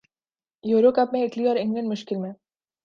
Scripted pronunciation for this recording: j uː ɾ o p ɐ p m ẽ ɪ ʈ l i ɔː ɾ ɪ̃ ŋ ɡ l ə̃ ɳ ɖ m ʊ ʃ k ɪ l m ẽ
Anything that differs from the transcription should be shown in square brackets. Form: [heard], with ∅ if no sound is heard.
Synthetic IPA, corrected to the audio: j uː ɾ o [k] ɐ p m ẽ ɪ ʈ l i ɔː ɾ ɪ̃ ŋ ɡ l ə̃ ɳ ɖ m ʊ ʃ k ɪ l m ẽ

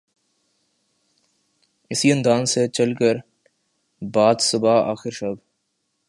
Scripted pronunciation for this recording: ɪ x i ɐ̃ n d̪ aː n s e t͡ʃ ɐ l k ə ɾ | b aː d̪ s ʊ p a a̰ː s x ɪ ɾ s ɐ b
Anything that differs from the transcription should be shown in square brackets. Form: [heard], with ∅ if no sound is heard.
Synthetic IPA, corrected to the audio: ɪ [s] i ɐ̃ n d̪ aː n s e t͡ʃ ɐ l k ə ɾ | b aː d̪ s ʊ [b] a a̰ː [∅] x ɪ ɾ [ʃ] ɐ b

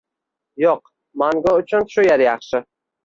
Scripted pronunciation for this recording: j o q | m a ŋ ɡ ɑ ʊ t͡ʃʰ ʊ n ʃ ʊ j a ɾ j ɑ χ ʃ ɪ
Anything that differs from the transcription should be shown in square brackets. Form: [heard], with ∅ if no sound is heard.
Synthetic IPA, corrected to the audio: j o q | m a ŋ ɡ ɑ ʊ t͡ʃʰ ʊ n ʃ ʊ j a ɾ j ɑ χ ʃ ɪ

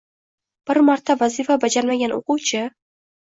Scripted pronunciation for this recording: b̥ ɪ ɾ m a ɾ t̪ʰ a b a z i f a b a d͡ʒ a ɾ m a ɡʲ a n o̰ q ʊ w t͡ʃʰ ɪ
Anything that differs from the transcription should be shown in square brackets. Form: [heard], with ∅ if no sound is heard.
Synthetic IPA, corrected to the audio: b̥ ɪ ɾ m a ɾ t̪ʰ a [v] a z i f a b a d͡ʒ a ɾ m a ɡʲ a n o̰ q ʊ w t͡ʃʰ ɪ

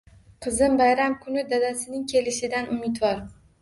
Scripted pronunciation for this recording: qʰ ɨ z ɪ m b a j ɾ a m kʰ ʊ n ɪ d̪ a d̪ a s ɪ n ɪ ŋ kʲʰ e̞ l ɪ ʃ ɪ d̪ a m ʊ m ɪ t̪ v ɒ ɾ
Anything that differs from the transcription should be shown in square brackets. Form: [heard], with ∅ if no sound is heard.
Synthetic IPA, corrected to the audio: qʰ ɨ z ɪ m b a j ɾ a m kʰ ʊ n ɪ d̪ a d̪ a s ɪ n ɪ ŋ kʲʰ e̞ l ɪ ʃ ɪ d̪ a [n] ʊ m ɪ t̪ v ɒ ɾ

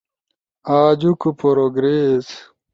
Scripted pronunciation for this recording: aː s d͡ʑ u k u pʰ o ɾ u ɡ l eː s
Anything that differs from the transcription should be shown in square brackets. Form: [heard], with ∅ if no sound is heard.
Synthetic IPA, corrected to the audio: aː [∅] d͡ʑ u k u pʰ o ɾ [o] ɡ [ɾ] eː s

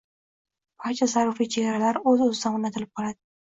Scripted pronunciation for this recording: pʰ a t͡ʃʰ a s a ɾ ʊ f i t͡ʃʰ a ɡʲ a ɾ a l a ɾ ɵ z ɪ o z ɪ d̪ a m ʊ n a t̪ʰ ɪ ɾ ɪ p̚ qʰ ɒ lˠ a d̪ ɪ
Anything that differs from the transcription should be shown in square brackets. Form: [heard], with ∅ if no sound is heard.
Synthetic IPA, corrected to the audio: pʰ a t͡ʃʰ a [z] a ɾ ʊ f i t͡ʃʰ [e] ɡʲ a ɾ a l a ɾ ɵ z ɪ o z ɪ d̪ a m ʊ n a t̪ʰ ɪ [l] ɪ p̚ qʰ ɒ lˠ a d̪ ɪ

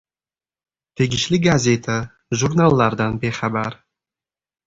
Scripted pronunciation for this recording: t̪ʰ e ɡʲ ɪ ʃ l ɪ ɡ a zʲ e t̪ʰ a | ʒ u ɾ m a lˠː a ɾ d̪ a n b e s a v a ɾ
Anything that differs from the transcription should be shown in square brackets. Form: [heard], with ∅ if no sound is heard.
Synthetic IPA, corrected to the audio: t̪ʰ e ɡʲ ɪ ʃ l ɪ ɡ a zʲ e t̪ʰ a | ʒ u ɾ [n] a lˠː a ɾ d̪ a n b e [χ] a [b] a ɾ

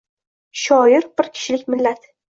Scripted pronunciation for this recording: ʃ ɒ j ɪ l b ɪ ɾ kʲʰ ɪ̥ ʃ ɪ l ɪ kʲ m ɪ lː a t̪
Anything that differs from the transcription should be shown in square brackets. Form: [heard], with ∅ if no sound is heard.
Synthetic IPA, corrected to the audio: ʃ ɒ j ɪ [ɾ] b ɪ ɾ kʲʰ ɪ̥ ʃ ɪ l ɪ kʲ m ɪ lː a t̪

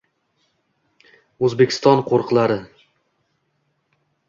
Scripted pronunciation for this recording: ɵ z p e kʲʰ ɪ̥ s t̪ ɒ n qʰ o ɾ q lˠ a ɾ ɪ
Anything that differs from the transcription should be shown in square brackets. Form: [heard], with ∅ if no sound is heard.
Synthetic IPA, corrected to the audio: ɵ z [b] e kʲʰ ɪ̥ s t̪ ɒ n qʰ o ɾ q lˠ a ɾ ɪ

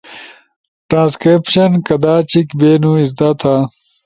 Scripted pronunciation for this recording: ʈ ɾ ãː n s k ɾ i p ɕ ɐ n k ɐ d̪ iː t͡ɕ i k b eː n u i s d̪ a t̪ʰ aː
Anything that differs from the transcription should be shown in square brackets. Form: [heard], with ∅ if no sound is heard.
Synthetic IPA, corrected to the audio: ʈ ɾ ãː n s k ɾ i p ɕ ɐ n k ɐ d̪ [aː] t͡ɕ i k b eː n u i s d̪ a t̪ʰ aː

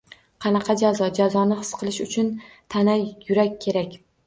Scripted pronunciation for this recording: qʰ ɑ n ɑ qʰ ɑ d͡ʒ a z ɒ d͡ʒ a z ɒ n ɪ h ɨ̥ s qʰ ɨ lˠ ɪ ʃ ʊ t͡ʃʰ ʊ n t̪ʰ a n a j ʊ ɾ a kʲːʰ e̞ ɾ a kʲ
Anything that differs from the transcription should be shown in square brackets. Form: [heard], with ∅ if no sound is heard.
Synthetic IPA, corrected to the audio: qʰ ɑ n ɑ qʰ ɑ d͡ʒ a z ɒ d͡ʒ a z ɒ n ɪ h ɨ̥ s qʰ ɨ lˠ ɪ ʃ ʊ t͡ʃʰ ʊ n t̪ʰ a n a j ʊ ɾ a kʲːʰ e̞ ɾ a kʲ

